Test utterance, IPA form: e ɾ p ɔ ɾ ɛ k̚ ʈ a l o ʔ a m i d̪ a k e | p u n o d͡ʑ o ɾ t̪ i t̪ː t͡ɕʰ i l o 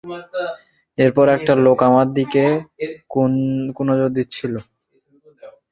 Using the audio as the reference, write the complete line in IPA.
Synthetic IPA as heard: e ɾ p ɔ ɾ ɛ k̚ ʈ a l o k a m a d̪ i k e | k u n o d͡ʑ o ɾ d̪ i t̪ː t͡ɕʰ i l o

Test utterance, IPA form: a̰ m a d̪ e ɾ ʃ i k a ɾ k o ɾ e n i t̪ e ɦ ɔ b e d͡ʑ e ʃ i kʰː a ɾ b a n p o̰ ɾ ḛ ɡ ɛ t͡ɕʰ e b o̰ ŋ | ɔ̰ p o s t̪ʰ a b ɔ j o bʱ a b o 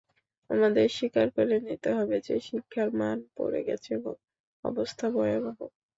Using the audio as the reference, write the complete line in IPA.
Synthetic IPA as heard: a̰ m a d̪ e ɾ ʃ i k a ɾ k o ɾ e n i t̪ e ɦ ɔ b e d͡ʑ e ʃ i kʰː a ɾ m a n p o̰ ɾ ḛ ɡ ɛ t͡ɕʰ e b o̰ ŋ | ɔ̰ b o s t̪ʰ a b ɔ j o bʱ a b o

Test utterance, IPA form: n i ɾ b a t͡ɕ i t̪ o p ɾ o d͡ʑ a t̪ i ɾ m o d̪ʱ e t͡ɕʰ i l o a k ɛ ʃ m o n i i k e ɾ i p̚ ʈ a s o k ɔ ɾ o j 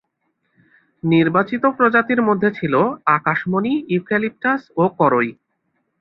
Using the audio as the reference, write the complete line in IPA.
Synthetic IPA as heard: n i ɾ b a t͡ɕ i t̪ o p ɾ o d͡ʑ a t̪ i ɾ m o d̪ʱː e t͡ɕʰ i l o a k a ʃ m o n i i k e l i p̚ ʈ a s o k ɔ ɾ o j

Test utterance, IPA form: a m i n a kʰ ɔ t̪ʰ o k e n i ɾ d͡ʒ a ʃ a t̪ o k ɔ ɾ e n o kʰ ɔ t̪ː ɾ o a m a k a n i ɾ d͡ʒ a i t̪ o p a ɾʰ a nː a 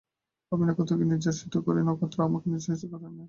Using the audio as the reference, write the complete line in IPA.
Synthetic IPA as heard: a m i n a k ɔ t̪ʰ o k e n i ɾ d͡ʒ a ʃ i t̪ o k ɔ ɾ e n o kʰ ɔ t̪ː ɾ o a m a k e n i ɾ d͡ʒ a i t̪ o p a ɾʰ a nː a

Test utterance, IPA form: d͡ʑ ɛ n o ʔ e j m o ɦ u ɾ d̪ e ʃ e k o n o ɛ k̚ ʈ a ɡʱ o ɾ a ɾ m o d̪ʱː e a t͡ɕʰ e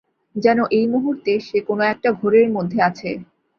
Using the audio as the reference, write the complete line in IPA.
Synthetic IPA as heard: d͡ʑ ɛ n o ʔ e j m u ɦ u ɾ t̪ e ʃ e k o n o ɛ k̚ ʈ a ɡʱ o ɾ e ɾ m o d̪ʱː e a t͡ɕʰ e

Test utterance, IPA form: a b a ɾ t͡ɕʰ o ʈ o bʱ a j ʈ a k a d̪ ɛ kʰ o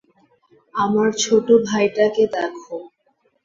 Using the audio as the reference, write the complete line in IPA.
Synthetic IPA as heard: a m a ɾ t͡ɕʰ o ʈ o bʱ a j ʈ a k e d̪ ɛ kʰ o

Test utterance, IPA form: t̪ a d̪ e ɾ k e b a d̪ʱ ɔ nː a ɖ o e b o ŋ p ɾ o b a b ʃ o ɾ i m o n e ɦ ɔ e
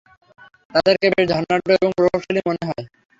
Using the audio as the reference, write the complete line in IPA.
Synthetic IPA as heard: t̪ a d̪ e ɾ k e b e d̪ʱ ɔ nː a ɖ o e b o ŋ p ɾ o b a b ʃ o l i m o n e ɦ ɔ e

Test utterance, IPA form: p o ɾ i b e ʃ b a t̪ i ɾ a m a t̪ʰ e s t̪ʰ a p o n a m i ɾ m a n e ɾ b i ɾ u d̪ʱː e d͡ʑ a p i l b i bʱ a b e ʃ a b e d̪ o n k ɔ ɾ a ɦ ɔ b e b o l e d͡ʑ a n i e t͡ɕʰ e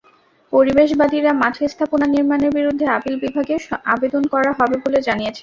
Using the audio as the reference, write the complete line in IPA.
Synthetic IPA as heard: p o ɾ i b e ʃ b a d̪ i ɾ a m a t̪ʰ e s t̪ʰ a p o n a n i ɾ m a n e ɾ b i ɾ u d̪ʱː e a p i l b i bʱ a ɡ e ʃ a b e d̪ o n k ɔ ɾ a ɦ ɔ b e b o l e d͡ʑ a n i e t͡ɕʰ e

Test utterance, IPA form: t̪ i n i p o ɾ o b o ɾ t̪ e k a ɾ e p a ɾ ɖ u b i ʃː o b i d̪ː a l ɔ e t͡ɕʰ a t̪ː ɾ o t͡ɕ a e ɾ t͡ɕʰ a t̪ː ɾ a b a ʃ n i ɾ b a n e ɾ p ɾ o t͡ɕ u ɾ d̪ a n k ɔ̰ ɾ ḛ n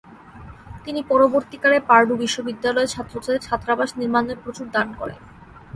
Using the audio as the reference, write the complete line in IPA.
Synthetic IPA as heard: t̪ i n i p ɔ ɾ o b o ɾ t̪ i k a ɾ e p a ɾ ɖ u b i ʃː o b i d̪ː a l ɔ e t͡ɕʰ a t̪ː ɾ o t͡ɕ a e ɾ t͡ɕʰ a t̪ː ɾ a b a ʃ n i ɾ m a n e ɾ p ɾ o t͡ɕ u ɾ d̪ a n k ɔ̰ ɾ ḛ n

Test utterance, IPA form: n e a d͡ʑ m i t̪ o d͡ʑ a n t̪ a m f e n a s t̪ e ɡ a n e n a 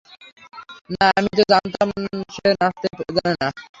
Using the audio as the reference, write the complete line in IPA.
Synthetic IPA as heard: n a a m i t̪ o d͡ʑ a n t̪ a m ʃ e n a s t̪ e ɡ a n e n a

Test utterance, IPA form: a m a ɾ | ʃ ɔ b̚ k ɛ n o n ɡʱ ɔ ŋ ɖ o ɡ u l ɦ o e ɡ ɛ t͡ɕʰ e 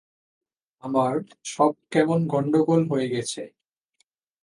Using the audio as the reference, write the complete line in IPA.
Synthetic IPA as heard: a m a ɾ | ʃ ɔ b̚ k ɛ m o n ɡʱ ɔ ɳ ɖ o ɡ o l ɦ o e ɡ ɛ t͡ɕʰ e

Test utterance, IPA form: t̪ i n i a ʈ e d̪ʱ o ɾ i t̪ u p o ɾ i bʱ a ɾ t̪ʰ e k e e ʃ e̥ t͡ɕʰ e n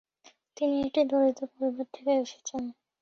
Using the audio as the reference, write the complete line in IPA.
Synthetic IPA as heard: t̪ i n i e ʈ i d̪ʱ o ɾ i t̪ o p o ɾ i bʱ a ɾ t̪ʰ e k e e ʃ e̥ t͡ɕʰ e n

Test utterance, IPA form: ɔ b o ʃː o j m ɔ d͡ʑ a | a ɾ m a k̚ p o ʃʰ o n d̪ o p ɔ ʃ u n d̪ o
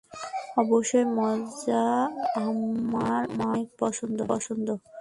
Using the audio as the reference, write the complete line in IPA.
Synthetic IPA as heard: ɔ b o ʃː o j m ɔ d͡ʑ a | a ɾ m a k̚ p ɔ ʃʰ o n d̪ o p ɔ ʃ o n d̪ o

